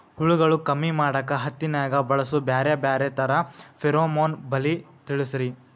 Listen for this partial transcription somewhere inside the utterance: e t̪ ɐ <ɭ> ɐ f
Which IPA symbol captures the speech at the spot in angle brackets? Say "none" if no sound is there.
ɾ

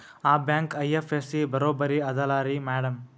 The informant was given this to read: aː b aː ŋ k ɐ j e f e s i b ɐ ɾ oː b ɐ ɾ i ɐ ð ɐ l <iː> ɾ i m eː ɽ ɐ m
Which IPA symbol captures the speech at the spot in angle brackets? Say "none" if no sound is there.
aː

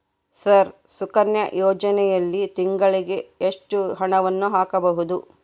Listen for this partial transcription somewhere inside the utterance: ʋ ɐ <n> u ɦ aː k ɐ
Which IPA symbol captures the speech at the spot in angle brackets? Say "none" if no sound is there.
nː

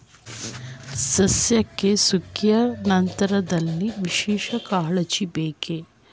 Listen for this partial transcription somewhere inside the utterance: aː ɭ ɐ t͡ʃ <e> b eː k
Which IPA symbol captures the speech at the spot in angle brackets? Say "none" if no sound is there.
i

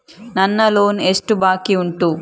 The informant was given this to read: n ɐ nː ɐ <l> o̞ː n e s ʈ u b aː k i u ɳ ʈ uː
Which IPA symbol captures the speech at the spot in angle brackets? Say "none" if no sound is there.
l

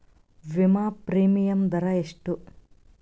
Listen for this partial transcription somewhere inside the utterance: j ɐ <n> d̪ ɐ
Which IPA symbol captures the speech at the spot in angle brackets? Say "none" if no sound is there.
m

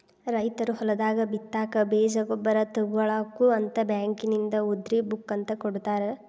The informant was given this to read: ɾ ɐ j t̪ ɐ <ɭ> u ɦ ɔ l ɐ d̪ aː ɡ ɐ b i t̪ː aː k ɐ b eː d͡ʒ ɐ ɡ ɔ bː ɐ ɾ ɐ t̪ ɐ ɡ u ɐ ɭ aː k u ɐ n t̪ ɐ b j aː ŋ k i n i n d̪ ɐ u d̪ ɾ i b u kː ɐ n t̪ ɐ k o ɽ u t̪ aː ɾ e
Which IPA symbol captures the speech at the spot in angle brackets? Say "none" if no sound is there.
ɾ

